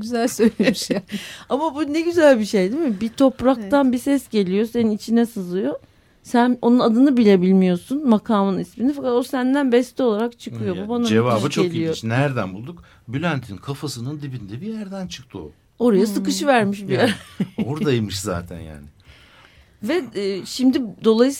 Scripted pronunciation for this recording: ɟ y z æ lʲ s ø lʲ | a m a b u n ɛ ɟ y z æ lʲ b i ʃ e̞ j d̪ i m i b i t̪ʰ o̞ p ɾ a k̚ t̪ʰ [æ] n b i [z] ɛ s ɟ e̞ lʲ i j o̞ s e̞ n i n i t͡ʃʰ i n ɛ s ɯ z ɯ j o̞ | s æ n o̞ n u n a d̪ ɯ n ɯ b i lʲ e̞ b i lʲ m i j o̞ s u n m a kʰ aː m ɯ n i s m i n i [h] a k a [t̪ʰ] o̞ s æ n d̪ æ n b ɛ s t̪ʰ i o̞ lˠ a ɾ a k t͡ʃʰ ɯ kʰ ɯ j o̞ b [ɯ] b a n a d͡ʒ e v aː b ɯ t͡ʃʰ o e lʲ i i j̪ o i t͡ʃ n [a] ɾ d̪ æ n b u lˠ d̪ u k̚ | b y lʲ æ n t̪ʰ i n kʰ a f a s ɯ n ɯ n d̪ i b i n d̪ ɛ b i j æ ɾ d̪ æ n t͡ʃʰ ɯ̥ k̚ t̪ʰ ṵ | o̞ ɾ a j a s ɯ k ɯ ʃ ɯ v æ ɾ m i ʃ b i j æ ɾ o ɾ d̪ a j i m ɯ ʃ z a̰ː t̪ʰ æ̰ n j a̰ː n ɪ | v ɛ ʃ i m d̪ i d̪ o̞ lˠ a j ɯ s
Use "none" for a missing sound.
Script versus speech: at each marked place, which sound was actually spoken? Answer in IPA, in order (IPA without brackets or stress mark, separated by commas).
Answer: a, s, f, t̪, u, æ